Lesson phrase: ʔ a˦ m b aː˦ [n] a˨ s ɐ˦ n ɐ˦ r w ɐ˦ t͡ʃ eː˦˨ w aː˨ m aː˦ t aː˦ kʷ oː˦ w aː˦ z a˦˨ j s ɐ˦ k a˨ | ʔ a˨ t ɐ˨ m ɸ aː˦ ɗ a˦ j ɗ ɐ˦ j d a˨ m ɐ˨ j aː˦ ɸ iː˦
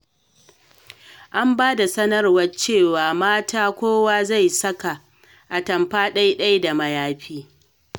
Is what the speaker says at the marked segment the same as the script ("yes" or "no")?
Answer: no